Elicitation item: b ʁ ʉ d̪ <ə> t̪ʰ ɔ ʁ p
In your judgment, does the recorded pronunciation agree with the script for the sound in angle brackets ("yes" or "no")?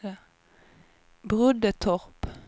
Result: yes